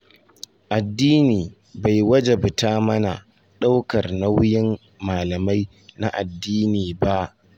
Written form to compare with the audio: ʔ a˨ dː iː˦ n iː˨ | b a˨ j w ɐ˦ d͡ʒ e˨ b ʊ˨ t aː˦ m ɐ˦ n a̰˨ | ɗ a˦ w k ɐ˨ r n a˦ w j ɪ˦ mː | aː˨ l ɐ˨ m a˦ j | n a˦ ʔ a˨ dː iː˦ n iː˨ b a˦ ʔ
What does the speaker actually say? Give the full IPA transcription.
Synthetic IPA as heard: ʔ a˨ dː iː˦ n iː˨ | b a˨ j w ɐ˦ d͡ʒ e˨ b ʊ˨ t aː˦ m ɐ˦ n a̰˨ | ɗ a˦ w k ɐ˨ r n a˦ w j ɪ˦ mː | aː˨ l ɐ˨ m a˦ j | n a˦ ʔ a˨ dː iː˦ n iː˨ b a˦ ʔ